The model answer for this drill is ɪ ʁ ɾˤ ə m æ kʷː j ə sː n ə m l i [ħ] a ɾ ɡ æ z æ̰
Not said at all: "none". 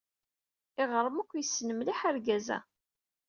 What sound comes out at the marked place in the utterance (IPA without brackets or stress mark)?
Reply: ħ